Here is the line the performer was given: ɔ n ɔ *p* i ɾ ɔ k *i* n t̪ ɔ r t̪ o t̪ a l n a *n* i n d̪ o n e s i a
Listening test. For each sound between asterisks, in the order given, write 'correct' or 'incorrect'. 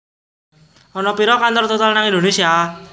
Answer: correct, incorrect, incorrect

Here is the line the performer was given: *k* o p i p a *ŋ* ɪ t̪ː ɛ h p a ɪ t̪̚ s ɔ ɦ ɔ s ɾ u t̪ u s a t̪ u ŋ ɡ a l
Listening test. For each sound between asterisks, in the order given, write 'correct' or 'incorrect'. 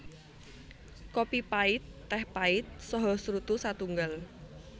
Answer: correct, incorrect

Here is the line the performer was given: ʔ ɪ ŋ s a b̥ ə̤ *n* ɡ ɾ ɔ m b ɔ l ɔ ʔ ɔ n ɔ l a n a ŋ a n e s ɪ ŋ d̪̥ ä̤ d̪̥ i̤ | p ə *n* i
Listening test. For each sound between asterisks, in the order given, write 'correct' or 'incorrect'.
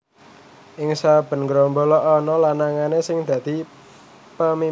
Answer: correct, incorrect

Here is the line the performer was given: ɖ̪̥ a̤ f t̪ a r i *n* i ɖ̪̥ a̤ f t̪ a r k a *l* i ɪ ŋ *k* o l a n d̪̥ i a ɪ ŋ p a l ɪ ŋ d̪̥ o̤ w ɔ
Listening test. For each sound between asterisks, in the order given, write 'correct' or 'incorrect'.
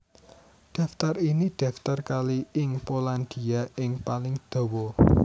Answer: correct, correct, incorrect

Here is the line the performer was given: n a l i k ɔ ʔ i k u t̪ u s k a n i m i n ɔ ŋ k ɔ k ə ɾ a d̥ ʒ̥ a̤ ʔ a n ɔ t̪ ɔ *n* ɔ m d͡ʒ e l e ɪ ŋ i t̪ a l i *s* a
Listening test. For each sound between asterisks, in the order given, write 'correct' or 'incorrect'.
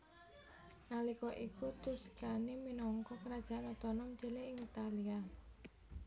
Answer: correct, incorrect

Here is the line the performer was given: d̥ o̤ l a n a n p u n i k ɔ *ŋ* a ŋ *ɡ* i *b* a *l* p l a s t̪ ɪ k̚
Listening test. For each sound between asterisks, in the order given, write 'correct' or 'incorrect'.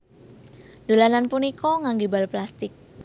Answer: correct, correct, correct, correct

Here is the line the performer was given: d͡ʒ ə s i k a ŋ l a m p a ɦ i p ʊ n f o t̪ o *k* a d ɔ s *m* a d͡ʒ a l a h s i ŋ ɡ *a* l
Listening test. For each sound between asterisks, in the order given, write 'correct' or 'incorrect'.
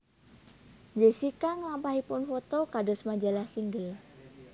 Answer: correct, correct, incorrect

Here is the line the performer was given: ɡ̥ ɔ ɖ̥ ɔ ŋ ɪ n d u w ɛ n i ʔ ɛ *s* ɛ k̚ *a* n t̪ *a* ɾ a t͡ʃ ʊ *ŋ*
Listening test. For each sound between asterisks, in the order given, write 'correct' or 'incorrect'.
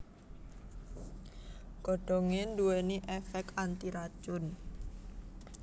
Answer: incorrect, correct, incorrect, incorrect

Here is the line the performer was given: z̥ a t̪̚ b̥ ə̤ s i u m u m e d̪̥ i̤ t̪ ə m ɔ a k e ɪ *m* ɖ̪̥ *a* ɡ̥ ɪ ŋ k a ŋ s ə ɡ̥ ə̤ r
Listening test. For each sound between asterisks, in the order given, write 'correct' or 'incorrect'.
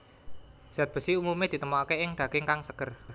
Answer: incorrect, correct

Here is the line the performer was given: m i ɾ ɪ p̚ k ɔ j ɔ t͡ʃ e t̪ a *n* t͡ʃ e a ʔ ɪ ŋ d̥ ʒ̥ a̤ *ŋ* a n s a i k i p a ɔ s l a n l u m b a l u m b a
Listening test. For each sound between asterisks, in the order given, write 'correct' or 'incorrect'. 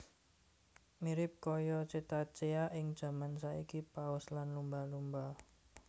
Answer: incorrect, incorrect

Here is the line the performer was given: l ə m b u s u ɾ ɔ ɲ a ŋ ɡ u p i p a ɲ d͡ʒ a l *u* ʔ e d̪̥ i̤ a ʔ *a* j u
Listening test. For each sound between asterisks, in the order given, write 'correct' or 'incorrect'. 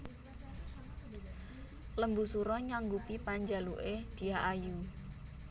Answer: correct, correct

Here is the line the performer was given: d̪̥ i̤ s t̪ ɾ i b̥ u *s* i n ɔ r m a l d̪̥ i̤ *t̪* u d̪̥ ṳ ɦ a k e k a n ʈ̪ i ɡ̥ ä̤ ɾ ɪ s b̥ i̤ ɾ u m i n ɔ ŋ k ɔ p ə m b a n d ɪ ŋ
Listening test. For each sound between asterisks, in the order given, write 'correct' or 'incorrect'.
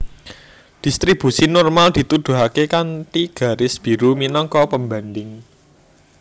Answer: correct, correct

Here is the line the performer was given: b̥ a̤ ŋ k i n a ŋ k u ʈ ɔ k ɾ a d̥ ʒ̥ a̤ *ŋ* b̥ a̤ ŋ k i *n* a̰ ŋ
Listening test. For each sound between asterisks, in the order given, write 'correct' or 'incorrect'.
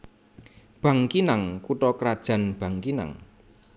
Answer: incorrect, correct

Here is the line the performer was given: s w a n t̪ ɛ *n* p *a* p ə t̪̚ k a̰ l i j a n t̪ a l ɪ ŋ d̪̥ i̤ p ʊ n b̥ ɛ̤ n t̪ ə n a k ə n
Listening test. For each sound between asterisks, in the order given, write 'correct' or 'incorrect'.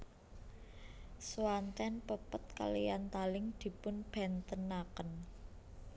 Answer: correct, incorrect

